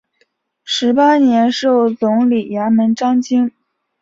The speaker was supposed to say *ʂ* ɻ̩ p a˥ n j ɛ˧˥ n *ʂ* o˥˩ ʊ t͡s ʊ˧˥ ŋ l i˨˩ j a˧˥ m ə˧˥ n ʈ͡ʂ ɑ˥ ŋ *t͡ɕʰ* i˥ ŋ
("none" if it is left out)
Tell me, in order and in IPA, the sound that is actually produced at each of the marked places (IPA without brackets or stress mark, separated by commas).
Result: ʂ, ʂ, t͡ɕ